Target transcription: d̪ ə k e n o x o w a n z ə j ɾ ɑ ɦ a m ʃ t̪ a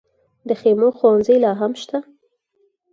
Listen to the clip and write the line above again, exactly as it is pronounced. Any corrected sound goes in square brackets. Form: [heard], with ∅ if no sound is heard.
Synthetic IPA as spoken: d̪ ə [x] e [m] o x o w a n z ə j [l] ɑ ɦ a m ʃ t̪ a